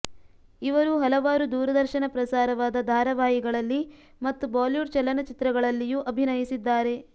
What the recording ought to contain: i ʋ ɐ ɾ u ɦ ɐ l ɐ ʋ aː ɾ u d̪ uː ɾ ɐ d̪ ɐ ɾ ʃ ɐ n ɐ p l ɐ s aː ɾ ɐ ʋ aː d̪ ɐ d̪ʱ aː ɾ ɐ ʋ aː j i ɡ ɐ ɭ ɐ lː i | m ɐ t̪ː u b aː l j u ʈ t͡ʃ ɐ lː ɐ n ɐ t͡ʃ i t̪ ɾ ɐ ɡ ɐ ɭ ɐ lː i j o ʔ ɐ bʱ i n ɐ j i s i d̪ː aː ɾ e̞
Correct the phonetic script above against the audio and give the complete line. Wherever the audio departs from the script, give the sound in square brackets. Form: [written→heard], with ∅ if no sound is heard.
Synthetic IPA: i ʋ ɐ ɾ u ɦ ɐ l ɐ ʋ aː ɾ u d̪ uː ɾ ɐ d̪ ɐ ɾ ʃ ɐ n ɐ p [l→ɾ] ɐ s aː ɾ ɐ ʋ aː d̪ ɐ d̪ʱ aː ɾ ɐ ʋ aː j i ɡ ɐ ɭ ɐ lː i | m ɐ t̪ː u b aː l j u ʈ t͡ʃ ɐ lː ɐ n ɐ t͡ʃ i t̪ ɾ ɐ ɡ ɐ ɭ ɐ lː i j [o→u] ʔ ɐ bʱ i n ɐ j i s i d̪ː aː ɾ e̞

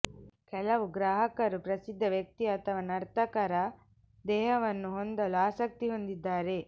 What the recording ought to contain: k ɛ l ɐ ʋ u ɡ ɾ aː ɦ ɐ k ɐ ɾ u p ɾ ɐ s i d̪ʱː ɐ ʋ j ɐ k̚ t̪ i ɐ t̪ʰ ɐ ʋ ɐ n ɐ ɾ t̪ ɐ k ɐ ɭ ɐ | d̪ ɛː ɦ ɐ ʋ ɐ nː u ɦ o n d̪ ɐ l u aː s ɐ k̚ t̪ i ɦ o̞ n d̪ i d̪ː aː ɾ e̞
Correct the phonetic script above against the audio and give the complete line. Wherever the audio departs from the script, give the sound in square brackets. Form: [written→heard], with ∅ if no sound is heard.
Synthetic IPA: k ɛ l ɐ ʋ u ɡ ɾ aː ɦ ɐ k ɐ ɾ u p ɾ ɐ s i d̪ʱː ɐ ʋ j ɐ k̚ t̪ i ɐ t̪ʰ ɐ ʋ ɐ n ɐ ɾ t̪ ɐ k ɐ [ɭ→ɾ] ɐ | d̪ ɛː ɦ ɐ ʋ ɐ nː u ɦ o n d̪ ɐ l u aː s ɐ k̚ t̪ i ɦ o̞ n d̪ i d̪ː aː ɾ e̞

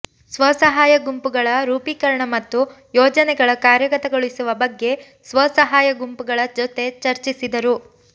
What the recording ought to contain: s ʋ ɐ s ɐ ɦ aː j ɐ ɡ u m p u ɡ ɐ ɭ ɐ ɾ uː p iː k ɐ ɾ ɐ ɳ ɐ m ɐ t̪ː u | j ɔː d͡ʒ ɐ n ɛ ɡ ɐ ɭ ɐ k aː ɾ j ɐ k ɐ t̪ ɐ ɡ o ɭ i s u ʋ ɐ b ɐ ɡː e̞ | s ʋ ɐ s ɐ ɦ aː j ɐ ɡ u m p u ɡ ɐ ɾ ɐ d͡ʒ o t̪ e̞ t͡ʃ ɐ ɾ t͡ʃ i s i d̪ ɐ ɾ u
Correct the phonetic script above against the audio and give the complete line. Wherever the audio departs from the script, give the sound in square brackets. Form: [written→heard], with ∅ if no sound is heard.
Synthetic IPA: s ʋ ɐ s ɐ ɦ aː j ɐ ɡ u m p u ɡ ɐ ɭ ɐ ɾ uː p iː k ɐ ɾ ɐ ɳ ɐ m ɐ t̪ː u | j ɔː d͡ʒ ɐ n ɛ ɡ ɐ ɭ ɐ k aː ɾ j ɐ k ɐ t̪ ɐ ɡ o ɭ i s u ʋ ɐ b ɐ ɡː e̞ | s ʋ ɐ s ɐ ɦ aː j ɐ ɡ u m p u ɡ ɐ [ɾ→ɭ] ɐ d͡ʒ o t̪ e̞ t͡ʃ ɐ ɾ t͡ʃ i s i d̪ ɐ ɾ u

